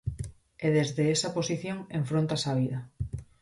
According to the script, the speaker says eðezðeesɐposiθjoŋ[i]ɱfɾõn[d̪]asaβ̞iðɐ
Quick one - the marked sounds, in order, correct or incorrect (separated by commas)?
incorrect, incorrect